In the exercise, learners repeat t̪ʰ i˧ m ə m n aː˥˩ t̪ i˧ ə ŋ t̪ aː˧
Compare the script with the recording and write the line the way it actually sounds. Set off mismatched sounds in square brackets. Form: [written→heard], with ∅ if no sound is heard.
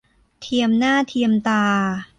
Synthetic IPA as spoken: t̪ʰ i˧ [m→∅] ə m n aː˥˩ [t̪→t̪ʰ] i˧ ə [ŋ→m] t̪ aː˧